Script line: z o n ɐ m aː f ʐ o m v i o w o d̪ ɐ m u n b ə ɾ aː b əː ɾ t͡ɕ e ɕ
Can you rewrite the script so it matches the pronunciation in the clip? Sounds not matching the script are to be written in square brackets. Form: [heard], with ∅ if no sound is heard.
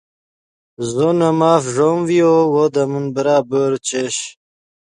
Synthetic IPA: z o n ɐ m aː f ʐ o m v i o w o d̪ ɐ m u n b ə ɾ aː b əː ɾ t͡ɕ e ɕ